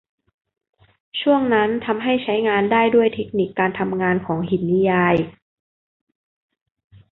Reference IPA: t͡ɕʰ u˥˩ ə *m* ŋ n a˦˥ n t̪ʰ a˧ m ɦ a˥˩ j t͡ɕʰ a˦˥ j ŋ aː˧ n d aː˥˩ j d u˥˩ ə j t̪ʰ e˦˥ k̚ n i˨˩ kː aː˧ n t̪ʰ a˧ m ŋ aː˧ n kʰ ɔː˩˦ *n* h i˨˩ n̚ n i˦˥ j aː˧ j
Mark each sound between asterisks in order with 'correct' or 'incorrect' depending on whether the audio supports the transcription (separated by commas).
incorrect, incorrect